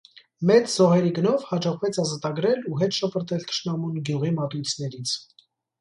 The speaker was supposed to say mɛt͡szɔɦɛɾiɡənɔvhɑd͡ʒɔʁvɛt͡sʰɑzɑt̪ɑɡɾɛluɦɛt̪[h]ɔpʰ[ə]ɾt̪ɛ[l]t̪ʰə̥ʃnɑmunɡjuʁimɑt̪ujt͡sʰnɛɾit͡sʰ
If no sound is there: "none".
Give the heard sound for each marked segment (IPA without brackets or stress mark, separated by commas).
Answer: ʃ, ə, l